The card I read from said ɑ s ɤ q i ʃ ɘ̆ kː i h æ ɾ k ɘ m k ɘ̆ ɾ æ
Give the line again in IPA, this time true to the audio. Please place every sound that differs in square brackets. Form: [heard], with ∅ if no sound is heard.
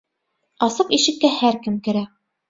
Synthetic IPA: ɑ s ɤ q i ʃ ɘ̆ kː [æ] h æ ɾ k ɘ m k ɘ̆ ɾ æ